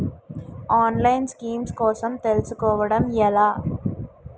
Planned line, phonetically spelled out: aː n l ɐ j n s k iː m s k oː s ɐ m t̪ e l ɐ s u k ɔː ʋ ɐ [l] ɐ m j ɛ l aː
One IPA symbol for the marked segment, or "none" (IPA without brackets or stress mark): ɽ